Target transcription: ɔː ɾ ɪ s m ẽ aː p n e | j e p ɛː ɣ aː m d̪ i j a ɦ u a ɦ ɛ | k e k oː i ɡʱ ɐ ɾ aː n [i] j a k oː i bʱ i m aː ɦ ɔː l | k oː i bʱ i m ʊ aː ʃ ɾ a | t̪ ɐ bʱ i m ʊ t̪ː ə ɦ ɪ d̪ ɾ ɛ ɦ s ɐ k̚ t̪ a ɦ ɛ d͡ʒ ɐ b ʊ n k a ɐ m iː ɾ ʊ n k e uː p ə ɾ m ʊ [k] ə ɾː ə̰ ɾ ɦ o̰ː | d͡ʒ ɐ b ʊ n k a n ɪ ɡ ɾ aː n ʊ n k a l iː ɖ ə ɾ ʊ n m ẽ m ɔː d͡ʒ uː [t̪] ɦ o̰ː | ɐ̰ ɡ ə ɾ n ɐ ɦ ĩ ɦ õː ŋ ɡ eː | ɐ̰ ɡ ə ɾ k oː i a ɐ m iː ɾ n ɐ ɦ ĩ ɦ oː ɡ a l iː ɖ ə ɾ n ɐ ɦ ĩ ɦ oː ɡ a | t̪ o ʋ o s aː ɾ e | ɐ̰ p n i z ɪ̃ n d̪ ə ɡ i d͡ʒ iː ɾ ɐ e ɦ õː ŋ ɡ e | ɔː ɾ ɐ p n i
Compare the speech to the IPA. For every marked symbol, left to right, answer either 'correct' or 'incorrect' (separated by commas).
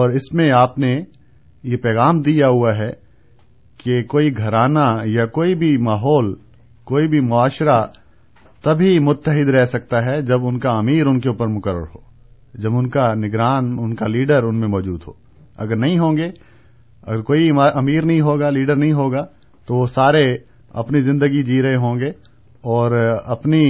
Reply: incorrect, correct, incorrect